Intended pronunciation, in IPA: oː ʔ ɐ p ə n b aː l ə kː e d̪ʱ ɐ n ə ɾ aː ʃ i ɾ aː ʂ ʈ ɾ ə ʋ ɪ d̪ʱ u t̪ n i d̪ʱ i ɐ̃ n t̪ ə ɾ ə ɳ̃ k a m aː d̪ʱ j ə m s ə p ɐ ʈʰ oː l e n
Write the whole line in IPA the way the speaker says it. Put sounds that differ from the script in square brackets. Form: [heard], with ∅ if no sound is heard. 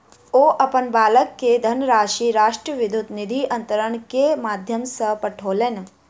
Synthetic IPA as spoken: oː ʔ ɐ p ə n b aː l ə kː e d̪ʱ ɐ n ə ɾ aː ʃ i ɾ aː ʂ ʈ ɾ ə ʋ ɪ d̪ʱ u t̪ n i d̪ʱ i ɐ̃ n t̪ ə ɾ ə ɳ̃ k [e] m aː d̪ʱ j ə m s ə p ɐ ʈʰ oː l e n